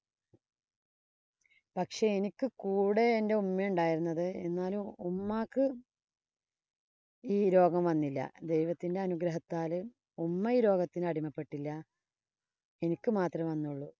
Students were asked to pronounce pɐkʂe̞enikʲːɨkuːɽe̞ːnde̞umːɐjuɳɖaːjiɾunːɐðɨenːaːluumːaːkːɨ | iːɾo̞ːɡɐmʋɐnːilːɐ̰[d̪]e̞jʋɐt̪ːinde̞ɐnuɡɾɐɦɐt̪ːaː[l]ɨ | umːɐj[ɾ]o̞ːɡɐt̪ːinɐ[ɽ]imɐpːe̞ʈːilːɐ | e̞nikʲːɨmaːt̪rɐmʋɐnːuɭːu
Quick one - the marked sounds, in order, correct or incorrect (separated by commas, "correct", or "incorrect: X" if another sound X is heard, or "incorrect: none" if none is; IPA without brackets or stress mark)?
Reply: correct, correct, correct, correct